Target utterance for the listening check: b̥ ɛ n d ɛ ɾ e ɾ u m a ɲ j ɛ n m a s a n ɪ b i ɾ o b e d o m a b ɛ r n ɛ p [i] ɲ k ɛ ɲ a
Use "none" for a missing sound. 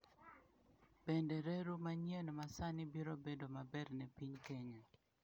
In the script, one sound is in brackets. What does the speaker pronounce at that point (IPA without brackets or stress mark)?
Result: i